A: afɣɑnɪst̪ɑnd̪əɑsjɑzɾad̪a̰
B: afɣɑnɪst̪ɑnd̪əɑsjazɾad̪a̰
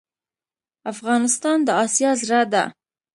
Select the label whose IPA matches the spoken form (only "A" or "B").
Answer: A